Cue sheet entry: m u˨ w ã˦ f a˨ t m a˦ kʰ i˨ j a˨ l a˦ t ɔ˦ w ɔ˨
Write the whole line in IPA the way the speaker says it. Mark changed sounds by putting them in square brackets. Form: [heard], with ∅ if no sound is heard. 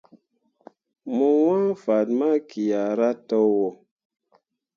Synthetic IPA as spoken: m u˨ w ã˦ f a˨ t m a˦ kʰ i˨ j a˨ [ɾ] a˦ t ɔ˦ w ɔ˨